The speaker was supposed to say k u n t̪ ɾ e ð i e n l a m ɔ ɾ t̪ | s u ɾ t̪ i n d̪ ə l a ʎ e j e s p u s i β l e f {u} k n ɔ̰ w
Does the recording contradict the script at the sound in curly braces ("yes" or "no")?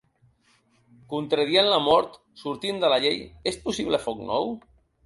yes